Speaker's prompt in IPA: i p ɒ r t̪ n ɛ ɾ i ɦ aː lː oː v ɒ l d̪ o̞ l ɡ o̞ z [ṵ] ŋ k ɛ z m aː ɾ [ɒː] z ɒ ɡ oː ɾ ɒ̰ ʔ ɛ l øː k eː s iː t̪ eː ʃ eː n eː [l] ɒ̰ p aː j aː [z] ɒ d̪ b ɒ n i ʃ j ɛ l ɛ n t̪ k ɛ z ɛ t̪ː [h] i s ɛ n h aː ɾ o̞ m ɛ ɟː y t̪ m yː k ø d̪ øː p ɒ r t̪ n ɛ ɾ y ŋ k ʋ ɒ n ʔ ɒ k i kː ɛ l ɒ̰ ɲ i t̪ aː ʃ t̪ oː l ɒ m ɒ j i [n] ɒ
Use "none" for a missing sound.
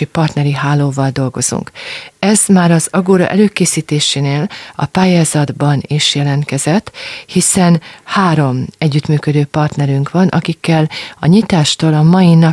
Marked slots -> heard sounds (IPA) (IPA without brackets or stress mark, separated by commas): ṵ, ɒ, l, z, h, n